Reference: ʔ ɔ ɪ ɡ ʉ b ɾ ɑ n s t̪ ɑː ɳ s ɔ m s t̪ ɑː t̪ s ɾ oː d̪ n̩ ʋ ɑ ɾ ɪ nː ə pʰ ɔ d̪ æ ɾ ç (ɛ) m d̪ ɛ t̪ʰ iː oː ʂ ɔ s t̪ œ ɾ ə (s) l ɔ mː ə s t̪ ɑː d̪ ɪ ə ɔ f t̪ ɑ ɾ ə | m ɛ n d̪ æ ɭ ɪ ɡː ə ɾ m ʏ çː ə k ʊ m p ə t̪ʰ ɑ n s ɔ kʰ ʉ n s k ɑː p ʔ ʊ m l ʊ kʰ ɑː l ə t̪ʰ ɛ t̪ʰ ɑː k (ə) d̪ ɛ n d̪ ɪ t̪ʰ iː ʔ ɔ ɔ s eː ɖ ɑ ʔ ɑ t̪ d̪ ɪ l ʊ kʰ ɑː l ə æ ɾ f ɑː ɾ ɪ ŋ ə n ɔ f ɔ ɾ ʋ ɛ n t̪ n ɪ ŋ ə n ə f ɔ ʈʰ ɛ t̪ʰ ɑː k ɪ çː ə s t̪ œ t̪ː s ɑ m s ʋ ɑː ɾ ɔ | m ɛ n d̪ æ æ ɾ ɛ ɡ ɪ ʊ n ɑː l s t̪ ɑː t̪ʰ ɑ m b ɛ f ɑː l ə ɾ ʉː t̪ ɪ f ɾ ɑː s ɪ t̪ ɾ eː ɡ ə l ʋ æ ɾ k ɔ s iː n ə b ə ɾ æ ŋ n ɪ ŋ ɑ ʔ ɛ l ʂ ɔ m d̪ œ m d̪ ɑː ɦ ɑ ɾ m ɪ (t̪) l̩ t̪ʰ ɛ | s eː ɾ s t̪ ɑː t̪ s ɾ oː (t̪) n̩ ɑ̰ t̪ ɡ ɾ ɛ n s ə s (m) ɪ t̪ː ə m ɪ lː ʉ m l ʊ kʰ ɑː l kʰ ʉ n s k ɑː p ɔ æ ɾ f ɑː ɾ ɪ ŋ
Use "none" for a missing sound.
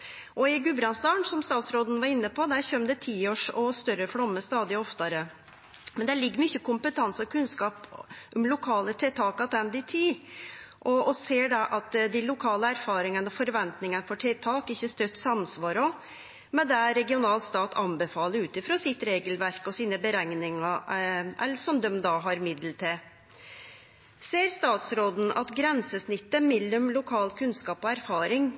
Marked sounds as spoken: œ, f, ɑ, d̪, d̪, n

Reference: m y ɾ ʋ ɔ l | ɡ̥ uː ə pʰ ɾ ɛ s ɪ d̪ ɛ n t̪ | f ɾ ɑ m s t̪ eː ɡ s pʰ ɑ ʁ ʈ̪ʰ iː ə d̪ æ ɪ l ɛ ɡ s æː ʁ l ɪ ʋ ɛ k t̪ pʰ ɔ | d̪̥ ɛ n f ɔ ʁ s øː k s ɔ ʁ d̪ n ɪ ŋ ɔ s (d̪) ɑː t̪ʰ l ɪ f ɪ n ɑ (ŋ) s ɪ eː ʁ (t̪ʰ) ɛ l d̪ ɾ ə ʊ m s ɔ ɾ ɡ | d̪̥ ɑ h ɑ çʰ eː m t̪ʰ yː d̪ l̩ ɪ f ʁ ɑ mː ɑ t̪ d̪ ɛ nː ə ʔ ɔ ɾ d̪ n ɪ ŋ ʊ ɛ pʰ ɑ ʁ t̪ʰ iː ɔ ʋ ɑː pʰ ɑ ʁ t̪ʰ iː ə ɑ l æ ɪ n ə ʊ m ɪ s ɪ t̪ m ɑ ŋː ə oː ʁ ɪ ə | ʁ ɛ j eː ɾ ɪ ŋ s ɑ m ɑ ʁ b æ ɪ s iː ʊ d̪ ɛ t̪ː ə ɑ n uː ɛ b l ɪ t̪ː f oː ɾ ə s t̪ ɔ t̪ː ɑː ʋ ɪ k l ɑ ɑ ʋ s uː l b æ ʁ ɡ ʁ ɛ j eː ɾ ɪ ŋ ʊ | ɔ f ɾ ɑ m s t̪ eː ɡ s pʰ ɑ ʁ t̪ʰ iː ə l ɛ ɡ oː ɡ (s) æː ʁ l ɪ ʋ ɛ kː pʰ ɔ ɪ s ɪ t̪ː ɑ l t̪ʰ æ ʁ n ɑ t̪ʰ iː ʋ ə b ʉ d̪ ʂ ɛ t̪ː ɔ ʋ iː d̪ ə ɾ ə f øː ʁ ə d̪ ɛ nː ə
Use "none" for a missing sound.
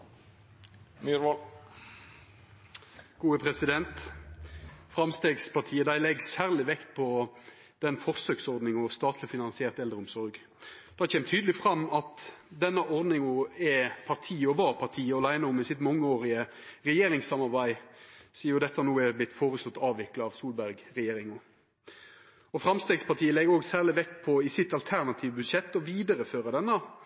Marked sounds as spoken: t̪, n, t̪, s

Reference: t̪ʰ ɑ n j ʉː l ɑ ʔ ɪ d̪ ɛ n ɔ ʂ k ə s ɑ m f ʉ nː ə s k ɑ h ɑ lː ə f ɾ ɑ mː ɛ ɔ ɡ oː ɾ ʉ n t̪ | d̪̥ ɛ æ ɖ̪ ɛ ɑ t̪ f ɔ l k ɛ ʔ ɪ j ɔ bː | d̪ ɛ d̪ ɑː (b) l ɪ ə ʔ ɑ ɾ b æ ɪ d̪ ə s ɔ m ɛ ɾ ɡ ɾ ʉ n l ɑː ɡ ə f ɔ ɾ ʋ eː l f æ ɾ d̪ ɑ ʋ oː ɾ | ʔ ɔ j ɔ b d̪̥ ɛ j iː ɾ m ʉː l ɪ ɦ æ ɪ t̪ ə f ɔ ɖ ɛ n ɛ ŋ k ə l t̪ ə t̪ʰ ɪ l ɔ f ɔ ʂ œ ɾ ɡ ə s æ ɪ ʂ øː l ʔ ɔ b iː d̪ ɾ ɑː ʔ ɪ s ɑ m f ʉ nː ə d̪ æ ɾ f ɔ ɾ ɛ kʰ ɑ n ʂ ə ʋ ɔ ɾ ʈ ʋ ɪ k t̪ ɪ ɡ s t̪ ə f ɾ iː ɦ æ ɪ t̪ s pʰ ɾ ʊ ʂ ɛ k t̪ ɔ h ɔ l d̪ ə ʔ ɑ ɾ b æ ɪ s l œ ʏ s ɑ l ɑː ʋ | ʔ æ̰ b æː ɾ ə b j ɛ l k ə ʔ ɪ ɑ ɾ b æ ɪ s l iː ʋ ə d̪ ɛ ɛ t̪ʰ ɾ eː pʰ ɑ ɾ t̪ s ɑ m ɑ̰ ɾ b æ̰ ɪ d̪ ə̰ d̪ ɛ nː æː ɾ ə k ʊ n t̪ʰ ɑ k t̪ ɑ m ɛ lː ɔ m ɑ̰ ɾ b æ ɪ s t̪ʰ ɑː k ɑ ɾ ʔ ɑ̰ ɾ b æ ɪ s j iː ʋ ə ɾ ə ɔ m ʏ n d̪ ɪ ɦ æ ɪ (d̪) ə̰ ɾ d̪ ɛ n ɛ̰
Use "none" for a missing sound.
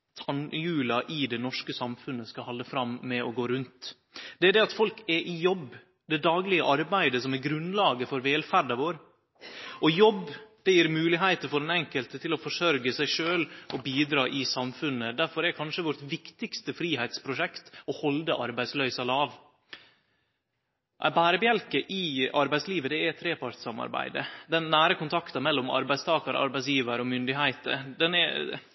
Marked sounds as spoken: ɡ, t̪

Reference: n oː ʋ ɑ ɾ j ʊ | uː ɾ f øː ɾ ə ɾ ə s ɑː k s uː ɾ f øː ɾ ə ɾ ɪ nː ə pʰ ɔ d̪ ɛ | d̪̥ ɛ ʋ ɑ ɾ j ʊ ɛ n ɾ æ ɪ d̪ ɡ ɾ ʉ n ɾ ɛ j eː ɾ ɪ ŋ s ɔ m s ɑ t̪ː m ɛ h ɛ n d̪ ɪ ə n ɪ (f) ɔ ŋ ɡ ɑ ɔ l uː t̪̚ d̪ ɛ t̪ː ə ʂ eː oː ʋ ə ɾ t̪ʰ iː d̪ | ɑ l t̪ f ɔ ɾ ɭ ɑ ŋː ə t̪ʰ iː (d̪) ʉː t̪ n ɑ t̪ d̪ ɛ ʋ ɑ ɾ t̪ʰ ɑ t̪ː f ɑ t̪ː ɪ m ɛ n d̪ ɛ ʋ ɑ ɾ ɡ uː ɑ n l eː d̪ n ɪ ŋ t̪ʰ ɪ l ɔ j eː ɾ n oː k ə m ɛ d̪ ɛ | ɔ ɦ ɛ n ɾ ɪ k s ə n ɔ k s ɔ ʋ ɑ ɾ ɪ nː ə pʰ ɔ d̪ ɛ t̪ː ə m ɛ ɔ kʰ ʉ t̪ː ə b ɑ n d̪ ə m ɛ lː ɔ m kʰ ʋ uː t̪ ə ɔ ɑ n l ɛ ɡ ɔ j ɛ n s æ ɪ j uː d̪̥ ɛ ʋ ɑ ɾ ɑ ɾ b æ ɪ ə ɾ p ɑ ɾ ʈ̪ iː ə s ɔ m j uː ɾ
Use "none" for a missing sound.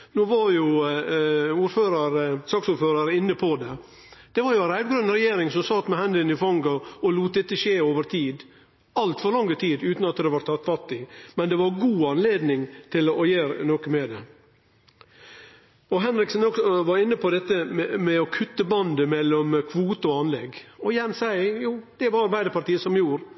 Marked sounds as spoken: f, d̪

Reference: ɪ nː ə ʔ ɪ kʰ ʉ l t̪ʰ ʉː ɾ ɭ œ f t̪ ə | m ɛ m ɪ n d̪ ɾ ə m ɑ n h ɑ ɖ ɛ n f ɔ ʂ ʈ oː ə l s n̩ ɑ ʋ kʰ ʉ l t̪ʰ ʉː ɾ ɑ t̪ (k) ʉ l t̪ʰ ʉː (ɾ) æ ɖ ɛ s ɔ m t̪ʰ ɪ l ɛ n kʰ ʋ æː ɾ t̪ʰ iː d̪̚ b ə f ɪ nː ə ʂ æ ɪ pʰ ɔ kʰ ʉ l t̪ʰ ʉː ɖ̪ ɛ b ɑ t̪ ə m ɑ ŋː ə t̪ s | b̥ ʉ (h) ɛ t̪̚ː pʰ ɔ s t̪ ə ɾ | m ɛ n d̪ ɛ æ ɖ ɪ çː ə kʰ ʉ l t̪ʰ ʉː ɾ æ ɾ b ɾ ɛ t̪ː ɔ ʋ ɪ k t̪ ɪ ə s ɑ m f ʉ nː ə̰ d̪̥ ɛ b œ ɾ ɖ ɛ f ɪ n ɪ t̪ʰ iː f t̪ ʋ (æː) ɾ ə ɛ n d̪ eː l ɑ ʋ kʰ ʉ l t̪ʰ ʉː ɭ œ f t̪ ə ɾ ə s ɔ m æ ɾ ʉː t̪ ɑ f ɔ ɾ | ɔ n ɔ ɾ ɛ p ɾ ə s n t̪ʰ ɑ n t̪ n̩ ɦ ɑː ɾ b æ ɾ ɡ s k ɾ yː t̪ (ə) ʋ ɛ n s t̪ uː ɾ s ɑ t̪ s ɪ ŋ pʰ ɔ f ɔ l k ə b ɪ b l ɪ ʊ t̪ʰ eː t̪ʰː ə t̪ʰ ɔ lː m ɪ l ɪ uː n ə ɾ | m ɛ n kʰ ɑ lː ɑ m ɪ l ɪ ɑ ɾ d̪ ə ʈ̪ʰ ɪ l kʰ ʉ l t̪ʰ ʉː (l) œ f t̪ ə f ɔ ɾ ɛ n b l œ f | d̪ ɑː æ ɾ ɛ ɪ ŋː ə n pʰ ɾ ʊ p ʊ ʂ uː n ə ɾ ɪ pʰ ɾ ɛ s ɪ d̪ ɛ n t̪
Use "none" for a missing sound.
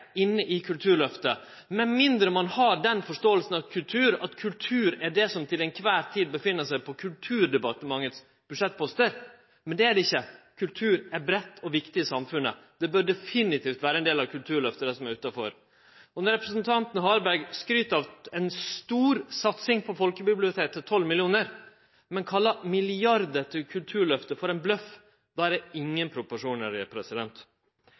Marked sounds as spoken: kʰ, ɾ, ʂ, æː, ɑ, ɭ

